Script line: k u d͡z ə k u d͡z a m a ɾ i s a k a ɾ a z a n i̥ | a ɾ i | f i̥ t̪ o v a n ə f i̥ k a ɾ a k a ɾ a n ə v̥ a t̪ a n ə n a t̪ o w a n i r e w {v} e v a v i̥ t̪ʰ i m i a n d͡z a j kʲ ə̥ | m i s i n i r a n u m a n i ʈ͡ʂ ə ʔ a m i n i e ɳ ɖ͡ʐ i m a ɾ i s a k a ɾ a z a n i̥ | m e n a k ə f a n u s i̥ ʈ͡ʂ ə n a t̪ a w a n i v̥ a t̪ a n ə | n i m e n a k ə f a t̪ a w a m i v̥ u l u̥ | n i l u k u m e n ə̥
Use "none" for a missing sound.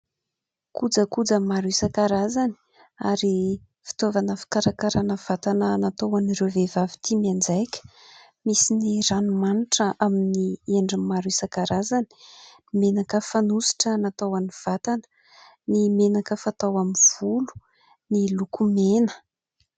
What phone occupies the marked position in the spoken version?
v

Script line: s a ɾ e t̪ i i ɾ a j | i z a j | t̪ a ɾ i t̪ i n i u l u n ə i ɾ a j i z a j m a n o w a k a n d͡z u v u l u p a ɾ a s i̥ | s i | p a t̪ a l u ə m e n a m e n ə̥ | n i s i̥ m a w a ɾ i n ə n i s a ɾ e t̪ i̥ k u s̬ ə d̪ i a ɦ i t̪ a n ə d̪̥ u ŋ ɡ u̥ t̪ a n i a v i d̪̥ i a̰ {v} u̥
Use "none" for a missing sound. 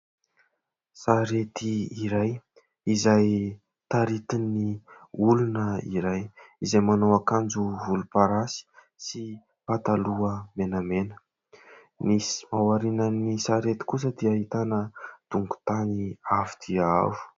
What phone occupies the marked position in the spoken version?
v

